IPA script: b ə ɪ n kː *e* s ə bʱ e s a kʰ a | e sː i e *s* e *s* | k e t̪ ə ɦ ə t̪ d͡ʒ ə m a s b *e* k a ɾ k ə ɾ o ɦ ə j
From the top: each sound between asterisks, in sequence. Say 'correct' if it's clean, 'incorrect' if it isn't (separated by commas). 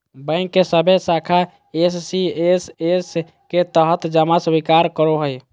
correct, correct, correct, incorrect